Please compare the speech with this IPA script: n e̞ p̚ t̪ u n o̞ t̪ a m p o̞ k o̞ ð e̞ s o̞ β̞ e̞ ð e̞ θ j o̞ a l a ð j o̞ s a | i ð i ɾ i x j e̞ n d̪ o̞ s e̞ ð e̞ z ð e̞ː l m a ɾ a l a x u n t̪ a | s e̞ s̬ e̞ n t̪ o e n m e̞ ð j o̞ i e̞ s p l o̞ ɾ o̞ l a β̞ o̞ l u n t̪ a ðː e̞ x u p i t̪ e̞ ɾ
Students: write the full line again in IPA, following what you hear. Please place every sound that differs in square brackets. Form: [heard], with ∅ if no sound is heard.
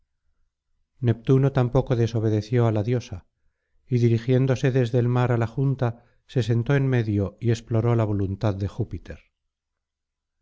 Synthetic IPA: n e̞ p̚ t̪ u n o̞ t̪ a m p o̞ k o̞ ð e̞ s o̞ β̞ e̞ ð e̞ θ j o̞ a l a ð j o̞ s a | i ð i ɾ i x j e̞ n d̪ o̞ s e̞ ð e̞ z ð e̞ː l m a ɾ a l a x u n t̪ a | s e̞ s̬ e̞ n t̪ o e n m e̞ ð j o̞ i e̞ s p l o̞ ɾ o̞ l a β̞ o̞ l u n t̪ a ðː e̞ x u p i t̪ e̞ ɾ